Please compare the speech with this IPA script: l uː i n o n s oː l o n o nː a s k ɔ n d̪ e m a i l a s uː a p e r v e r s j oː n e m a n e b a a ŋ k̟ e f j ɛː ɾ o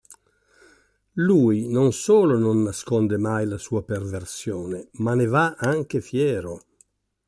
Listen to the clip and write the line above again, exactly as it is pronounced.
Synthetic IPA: l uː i n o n s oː l o n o nː a s k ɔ n d̪ e m a j l a s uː a p e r v e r s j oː n e m a n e v a a ŋ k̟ e f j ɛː ɾ o